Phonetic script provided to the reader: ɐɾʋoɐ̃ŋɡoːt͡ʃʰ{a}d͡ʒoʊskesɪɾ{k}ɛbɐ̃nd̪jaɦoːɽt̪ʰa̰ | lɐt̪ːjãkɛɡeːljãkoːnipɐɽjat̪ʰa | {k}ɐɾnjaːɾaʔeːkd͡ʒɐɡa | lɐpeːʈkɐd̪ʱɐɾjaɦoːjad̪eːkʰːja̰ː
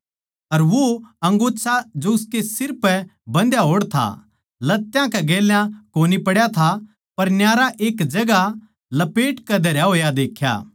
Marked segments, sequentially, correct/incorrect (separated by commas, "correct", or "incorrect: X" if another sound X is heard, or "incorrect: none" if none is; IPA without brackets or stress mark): correct, incorrect: p, incorrect: p